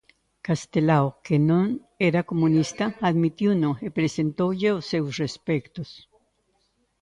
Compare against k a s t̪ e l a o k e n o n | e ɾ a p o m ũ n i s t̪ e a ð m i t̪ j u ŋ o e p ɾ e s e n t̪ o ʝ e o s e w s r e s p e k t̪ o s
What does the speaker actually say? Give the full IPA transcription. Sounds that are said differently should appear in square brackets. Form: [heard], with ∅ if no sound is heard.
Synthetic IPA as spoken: k a s t̪ e l a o k e n o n | e ɾ a [k] o m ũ n i s t̪ [a] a ð m i t̪ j u [n] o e p ɾ e s e n t̪ o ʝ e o s e w s r e s p e k t̪ o s